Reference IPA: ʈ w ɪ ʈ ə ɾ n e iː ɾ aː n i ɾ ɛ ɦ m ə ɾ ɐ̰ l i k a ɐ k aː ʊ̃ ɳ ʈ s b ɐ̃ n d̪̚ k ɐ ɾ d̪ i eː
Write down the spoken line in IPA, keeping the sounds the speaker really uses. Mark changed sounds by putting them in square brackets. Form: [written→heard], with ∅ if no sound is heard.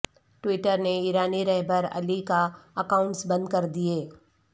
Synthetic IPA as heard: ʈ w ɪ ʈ ə ɾ n e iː ɾ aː n i ɾ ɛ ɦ [m→b] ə ɾ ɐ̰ l i k a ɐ k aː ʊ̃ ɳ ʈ s b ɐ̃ n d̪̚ k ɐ ɾ d̪ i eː